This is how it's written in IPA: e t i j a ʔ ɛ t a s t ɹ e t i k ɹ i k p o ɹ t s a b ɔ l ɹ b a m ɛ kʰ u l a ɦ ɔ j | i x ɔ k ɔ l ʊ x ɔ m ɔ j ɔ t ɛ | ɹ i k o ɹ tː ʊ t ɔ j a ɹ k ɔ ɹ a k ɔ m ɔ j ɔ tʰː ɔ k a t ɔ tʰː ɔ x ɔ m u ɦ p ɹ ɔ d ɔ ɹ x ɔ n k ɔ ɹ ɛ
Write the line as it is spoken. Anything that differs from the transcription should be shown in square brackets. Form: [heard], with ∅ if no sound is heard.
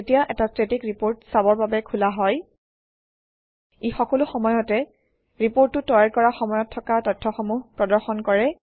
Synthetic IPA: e t i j a ʔ ɛ t a s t ɹ e t i k ɹ i [∅] p o ɹ t s a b ɔ [∅] ɹ b a [b] ɛ kʰ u l a ɦ ɔ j | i x ɔ k ɔ l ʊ x ɔ m ɔ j ɔ t ɛ | ɹ i [p] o ɹ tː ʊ t ɔ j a ɹ k ɔ ɹ a [x] ɔ m ɔ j ɔ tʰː ɔ k a t ɔ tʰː ɔ x ɔ m u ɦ p ɹ ɔ d ɔ ɹ x ɔ n k ɔ ɹ ɛ